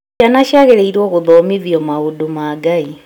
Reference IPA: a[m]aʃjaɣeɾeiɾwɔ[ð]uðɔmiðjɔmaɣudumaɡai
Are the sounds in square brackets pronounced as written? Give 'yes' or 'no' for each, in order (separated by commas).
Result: no, no